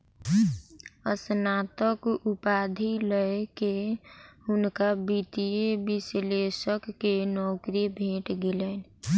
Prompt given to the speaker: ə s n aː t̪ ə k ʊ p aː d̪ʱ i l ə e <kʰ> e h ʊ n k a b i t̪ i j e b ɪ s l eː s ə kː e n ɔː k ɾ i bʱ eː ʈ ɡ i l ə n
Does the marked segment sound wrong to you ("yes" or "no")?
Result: yes